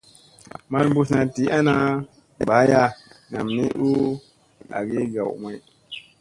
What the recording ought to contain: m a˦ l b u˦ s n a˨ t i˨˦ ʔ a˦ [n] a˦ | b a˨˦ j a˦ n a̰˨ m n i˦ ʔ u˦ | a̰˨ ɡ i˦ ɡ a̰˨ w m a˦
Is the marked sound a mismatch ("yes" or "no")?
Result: no